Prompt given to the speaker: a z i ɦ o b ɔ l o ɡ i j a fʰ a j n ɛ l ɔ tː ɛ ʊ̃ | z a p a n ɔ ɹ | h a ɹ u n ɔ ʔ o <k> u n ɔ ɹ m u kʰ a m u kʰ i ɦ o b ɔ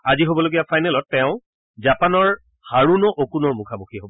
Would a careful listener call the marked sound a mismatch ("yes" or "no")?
no